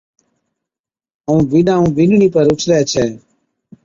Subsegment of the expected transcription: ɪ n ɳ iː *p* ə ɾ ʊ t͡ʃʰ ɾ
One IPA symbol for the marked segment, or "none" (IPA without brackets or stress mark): p